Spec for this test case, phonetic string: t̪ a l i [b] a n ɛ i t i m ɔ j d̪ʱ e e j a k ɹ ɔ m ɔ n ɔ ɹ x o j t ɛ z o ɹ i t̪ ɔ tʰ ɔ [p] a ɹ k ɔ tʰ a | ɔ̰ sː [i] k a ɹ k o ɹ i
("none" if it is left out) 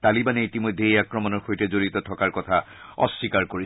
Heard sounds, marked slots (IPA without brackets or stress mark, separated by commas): b, k, i